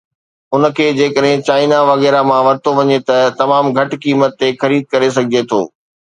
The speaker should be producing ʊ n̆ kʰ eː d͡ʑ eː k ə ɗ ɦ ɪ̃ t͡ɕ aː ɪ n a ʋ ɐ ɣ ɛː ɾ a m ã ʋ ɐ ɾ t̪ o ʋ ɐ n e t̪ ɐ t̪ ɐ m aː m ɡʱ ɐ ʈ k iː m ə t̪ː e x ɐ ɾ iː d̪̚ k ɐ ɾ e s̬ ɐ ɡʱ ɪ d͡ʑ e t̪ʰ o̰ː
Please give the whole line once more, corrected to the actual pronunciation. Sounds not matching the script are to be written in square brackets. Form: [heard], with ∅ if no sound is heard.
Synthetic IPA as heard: ʊ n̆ kʰ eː d͡ʑ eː k ə ɗ ɦ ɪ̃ t͡ɕ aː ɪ n a ʋ ɐ ɣ ɛː ɾ a m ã ʋ ɐ ɾ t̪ o ʋ ɐ [ɲ] e t̪ ɐ t̪ ɐ m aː m ɡʱ ɐ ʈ k iː m ə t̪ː e x ɐ ɾ iː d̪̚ k ɐ ɾ e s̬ ɐ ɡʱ ɪ d͡ʑ e t̪ʰ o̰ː